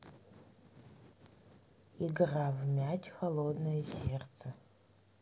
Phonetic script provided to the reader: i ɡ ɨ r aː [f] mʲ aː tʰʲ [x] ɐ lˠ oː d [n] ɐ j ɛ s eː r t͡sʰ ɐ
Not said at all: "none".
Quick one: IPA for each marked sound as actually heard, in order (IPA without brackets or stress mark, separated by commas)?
v, x, n